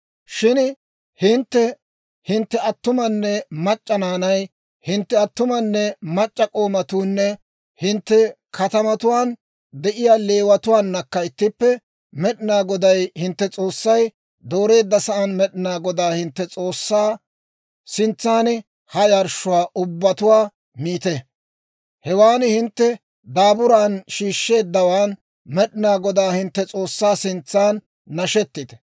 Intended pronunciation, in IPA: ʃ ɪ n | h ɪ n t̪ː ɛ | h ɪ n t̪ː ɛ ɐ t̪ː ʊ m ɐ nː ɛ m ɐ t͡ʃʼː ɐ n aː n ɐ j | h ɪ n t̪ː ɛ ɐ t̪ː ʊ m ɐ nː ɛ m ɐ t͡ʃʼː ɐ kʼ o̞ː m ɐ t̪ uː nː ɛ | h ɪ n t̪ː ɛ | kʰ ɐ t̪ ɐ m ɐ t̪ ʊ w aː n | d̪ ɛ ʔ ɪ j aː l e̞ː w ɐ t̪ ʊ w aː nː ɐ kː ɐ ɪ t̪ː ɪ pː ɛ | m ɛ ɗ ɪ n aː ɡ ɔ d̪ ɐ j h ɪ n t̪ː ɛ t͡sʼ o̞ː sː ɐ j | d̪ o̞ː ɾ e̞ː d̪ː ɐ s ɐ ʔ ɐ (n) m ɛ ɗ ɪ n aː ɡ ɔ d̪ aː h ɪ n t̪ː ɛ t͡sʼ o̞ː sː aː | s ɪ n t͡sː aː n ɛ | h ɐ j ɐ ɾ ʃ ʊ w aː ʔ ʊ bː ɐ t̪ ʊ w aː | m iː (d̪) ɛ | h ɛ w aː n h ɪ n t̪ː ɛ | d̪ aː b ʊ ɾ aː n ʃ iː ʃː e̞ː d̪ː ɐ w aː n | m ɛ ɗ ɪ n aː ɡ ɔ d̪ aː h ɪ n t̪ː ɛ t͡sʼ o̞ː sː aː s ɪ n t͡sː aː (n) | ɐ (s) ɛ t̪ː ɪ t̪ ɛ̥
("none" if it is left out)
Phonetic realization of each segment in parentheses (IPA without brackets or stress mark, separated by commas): n, t̪, nː, ʃ